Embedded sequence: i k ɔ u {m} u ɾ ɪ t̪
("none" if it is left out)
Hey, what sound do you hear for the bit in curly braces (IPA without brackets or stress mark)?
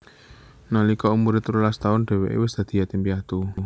m